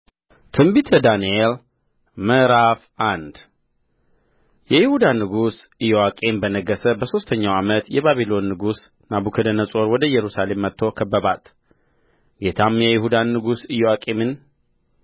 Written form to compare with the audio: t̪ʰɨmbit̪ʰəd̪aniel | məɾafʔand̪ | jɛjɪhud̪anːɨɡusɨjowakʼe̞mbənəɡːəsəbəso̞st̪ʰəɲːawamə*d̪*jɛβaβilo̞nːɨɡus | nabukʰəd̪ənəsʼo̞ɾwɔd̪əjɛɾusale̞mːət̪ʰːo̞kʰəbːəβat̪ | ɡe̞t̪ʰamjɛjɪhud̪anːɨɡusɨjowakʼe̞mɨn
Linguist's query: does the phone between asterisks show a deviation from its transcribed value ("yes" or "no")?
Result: yes